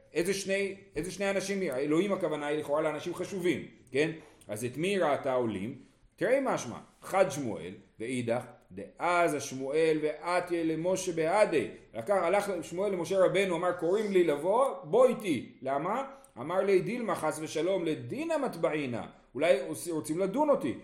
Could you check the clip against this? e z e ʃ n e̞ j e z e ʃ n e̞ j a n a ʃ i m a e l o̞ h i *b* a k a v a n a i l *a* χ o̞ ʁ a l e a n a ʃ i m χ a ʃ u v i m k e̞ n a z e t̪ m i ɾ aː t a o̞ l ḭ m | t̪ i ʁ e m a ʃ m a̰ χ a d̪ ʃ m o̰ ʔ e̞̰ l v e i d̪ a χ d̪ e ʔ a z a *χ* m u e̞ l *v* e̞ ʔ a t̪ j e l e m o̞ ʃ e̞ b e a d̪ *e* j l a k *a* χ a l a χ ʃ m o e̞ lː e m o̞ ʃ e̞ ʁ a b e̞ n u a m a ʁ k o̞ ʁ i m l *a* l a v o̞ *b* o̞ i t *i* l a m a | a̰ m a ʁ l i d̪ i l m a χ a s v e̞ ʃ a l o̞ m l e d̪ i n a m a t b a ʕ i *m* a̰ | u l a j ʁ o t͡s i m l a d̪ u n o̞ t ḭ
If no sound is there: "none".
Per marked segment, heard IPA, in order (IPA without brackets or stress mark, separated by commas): m, i, ʃ, v, e, a, i, b, i, n